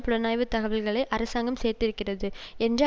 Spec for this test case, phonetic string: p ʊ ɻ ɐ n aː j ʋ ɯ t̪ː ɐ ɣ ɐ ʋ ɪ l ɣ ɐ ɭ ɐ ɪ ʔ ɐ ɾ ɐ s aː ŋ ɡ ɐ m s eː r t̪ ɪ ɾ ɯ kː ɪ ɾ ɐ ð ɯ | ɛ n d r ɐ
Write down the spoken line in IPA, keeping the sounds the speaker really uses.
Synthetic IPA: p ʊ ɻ ɐ n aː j ʋ ɯ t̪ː ɐ ɣ ɐ ʋ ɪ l ɣ ɐ ɭ ɐ ɪ ʔ ɐ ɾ ɐ s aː ŋ ɡ ɐ m s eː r t̪ ɪ ɾ ɯ kː ɪ r ɐ ð ɯ | ɛ n d r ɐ